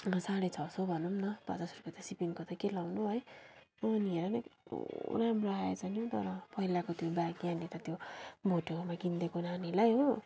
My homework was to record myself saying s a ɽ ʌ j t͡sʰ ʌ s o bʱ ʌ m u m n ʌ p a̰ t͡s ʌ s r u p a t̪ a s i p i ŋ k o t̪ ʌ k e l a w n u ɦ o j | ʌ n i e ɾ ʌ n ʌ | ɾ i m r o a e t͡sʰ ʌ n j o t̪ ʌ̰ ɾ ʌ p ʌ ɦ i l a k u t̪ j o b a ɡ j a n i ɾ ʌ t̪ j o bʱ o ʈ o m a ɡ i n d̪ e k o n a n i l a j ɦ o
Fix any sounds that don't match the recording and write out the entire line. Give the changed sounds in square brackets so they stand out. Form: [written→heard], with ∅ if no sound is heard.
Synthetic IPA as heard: s a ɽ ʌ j t͡sʰ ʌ s o bʱ ʌ [m→n] u m n ʌ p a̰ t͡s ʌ s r u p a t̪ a s i p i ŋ k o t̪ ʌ k e l a w n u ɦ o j | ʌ n i e ɾ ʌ n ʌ | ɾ [i→a] m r o a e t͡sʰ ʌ n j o t̪ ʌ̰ ɾ ʌ p ʌ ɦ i l a k [u→o] t̪ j o b a ɡ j a n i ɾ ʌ t̪ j o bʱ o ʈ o m a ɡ i n d̪ e k o n a n i l a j ɦ o